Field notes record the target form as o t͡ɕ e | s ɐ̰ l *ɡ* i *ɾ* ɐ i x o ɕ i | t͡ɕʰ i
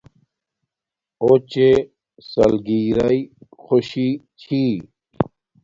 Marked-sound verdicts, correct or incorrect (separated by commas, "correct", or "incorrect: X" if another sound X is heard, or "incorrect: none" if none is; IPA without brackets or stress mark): correct, correct